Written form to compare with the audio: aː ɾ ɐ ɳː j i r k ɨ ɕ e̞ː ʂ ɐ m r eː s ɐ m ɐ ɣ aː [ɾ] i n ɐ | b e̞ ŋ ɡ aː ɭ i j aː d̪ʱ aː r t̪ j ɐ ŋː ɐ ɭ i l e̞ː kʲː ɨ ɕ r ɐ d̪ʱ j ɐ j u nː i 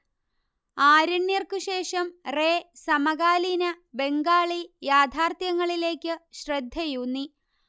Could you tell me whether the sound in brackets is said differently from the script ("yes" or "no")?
yes